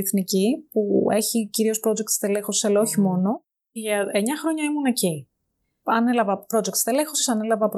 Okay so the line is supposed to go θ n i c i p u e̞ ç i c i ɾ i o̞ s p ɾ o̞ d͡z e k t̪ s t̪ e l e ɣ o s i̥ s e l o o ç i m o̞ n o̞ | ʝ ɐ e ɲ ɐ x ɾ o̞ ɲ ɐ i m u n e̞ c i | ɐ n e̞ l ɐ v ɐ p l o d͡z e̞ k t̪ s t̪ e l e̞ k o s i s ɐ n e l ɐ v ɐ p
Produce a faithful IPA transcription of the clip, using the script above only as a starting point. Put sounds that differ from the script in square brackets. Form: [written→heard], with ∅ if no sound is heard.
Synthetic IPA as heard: θ n i c i p u e̞ ç i c i ɾ i o̞ s p ɾ o̞ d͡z e k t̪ s t̪ e l e [ɣ→x] o s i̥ s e l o o ç i m o̞ n o̞ | ʝ ɐ e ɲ ɐ x ɾ o̞ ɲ ɐ i m u n e̞ c i | ɐ n e̞ l ɐ v ɐ p [l→ɾ] o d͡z e̞ k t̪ s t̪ e l e̞ [k→x] o s i s ɐ n e l ɐ v ɐ p